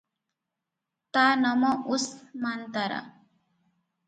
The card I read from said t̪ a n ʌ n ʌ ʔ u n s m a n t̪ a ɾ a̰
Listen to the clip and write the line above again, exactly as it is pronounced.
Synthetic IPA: t̪ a n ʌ m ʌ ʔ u s m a n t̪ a ɾ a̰